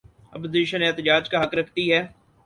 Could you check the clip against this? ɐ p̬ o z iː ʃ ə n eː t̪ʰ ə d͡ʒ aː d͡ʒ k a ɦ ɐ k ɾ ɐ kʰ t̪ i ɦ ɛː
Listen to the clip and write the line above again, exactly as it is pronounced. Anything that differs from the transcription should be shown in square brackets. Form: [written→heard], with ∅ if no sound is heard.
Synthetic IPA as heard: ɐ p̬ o z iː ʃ ə n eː [t̪ʰ→t̪] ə d͡ʒ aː d͡ʒ k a ɦ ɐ k ɾ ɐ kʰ t̪ i ɦ ɛː